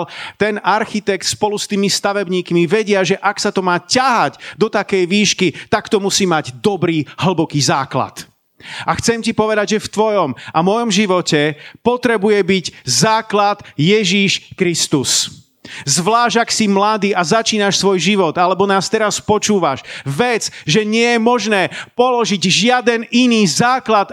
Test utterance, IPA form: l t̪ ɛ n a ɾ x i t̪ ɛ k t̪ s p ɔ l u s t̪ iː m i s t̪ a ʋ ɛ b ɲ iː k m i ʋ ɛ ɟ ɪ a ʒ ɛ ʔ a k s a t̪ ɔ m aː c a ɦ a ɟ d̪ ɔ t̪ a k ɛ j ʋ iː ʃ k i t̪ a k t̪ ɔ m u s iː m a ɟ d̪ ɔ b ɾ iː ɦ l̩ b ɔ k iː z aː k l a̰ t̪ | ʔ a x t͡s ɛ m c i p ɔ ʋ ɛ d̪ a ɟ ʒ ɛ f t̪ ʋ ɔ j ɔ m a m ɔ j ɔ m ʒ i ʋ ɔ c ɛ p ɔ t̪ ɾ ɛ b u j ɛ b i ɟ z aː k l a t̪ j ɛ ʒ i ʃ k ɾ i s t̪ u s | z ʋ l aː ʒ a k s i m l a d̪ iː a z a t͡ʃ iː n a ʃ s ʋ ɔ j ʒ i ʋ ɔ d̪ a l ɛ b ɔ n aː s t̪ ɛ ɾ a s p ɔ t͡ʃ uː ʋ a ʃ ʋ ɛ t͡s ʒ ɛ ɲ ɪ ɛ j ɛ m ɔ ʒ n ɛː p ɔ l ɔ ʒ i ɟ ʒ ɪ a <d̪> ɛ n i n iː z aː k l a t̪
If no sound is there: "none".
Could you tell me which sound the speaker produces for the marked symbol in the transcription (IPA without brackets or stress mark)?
d̪